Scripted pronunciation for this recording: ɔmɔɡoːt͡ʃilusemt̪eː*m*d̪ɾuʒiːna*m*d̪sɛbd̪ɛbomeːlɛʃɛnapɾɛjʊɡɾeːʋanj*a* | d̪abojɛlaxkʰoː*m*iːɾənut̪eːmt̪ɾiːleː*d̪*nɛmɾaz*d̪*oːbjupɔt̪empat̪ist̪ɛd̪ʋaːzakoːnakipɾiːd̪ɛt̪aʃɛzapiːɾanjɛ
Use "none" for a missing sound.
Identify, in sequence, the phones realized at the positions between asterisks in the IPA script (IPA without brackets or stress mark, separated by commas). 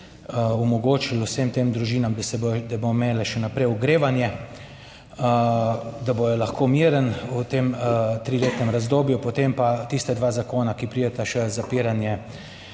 m, m, ɛ, m, t̪, d̪